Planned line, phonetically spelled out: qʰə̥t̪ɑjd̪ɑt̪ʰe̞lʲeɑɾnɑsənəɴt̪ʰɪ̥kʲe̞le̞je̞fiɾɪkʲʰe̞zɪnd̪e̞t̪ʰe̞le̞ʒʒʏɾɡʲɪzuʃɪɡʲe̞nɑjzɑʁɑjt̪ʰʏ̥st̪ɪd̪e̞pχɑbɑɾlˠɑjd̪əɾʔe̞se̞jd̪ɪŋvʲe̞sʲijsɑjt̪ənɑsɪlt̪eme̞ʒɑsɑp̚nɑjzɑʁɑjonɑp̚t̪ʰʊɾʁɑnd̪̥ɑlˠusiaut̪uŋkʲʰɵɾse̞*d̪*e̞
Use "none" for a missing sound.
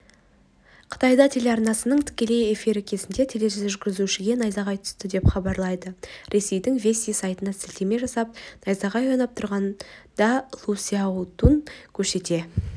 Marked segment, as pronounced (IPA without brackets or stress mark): t̪